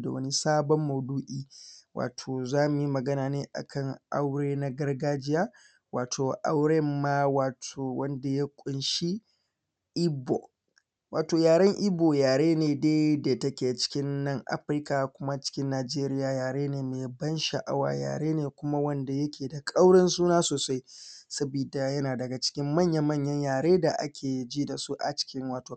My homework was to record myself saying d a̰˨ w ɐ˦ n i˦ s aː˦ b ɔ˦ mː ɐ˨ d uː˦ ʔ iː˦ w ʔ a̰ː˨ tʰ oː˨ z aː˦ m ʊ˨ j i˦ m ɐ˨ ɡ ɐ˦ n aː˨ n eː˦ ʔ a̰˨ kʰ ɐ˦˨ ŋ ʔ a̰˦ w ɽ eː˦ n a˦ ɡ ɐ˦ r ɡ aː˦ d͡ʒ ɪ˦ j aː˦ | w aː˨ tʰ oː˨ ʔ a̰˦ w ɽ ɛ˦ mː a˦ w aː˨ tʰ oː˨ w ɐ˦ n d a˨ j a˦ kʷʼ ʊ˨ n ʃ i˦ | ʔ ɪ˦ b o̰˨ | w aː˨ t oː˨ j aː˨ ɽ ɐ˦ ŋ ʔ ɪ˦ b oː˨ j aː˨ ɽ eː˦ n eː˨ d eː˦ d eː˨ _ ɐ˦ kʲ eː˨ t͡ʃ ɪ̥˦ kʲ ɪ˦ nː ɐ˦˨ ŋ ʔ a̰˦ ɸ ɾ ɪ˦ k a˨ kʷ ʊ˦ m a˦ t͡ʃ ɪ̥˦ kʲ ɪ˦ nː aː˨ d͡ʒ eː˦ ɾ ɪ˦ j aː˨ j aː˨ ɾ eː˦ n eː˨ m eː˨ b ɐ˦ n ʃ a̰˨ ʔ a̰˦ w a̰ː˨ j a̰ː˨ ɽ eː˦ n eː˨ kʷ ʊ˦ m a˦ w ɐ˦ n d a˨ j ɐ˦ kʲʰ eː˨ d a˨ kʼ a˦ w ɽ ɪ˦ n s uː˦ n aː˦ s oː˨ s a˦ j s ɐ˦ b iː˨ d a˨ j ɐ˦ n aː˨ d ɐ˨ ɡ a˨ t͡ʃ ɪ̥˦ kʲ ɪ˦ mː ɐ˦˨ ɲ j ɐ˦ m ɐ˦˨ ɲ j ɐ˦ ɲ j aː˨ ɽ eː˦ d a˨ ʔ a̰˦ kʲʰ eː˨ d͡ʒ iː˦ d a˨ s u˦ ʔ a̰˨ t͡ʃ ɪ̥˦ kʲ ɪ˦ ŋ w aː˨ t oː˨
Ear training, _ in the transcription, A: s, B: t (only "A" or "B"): B